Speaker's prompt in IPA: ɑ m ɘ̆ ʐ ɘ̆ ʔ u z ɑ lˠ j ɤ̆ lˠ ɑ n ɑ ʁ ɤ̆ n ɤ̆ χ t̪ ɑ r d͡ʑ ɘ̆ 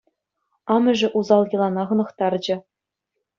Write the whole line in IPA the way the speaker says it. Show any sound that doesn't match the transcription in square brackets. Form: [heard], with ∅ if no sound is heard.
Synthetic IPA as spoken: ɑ m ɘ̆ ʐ ɘ̆ ʔ u z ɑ lˠ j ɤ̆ lˠ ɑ n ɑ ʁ ɤ̆ n ɤ̆ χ t̪ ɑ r d͡ʑ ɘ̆